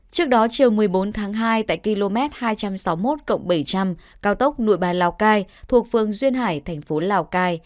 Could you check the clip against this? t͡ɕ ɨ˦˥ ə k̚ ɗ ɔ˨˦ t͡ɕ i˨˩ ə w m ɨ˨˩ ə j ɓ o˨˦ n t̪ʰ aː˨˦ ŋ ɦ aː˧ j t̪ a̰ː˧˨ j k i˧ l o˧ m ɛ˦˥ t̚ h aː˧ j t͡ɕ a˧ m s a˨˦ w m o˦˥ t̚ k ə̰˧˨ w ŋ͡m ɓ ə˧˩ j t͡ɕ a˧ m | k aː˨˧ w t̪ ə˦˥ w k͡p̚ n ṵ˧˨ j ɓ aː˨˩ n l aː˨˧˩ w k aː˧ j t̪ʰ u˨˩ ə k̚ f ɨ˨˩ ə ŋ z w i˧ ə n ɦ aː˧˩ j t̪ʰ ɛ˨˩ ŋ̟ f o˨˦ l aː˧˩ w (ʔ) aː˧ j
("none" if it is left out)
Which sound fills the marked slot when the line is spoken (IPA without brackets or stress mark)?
k